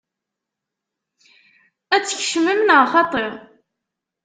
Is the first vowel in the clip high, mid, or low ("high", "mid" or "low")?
low